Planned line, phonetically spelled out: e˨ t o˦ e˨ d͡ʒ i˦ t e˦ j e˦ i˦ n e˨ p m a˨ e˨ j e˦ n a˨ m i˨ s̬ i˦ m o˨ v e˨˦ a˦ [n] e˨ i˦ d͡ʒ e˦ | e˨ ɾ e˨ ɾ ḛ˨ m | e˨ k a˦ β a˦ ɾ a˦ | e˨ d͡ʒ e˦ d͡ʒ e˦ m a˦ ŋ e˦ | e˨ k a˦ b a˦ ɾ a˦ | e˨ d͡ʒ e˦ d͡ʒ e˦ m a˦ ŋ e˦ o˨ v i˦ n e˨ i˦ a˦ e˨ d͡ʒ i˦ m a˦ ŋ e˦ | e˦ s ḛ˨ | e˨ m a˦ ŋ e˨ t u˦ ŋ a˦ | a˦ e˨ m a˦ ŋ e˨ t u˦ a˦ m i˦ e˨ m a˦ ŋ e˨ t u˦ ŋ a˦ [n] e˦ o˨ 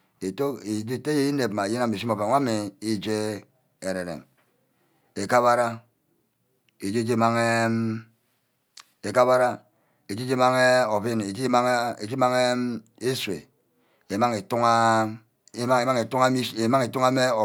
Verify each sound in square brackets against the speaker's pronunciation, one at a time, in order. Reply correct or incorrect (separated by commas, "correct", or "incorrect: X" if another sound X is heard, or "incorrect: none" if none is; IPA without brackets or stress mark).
incorrect: m, incorrect: m